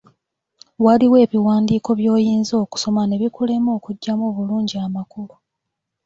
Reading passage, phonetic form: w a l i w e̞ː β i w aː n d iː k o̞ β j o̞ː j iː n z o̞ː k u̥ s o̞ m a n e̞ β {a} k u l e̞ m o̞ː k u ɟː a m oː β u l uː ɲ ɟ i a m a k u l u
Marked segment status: incorrect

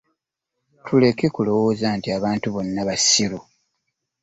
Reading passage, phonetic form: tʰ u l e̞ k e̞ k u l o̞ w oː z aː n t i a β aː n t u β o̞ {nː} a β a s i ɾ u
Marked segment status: correct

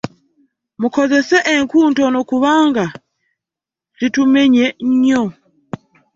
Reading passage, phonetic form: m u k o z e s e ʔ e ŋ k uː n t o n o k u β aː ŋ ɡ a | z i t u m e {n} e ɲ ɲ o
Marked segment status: incorrect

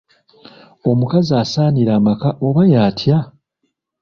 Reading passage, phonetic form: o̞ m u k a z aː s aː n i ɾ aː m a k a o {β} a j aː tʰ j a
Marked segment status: correct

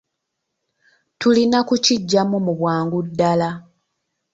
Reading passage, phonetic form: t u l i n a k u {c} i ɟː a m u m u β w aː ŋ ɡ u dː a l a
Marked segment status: correct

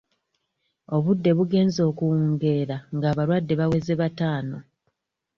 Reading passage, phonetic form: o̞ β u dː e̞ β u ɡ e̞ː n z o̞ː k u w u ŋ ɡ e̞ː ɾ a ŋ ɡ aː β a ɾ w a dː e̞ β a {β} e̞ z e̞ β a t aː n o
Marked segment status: incorrect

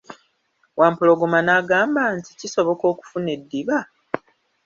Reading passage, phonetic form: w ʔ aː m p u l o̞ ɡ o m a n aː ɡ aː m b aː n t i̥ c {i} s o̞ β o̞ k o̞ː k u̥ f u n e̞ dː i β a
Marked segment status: correct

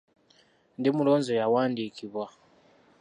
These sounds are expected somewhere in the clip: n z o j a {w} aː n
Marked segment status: correct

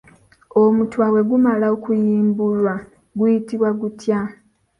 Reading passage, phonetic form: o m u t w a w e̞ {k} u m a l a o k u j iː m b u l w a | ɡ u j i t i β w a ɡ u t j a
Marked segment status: incorrect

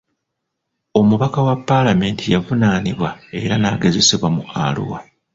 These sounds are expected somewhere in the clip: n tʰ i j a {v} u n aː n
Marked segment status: correct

